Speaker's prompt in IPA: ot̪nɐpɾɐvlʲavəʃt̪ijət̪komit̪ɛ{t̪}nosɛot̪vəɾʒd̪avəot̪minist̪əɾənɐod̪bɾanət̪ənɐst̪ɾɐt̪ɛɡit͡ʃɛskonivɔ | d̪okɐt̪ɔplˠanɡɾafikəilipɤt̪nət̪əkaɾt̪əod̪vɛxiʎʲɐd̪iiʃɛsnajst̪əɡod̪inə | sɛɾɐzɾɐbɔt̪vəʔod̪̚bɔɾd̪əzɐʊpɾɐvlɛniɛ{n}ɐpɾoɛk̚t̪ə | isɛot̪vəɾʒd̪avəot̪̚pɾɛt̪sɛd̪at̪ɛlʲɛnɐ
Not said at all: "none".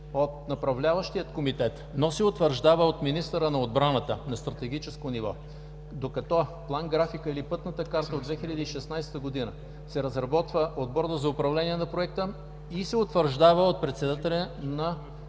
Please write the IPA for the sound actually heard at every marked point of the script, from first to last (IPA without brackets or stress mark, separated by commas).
t̪, n